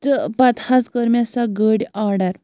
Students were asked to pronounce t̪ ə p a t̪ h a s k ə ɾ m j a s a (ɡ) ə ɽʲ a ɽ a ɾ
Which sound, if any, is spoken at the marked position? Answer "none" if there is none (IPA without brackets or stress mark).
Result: ɡ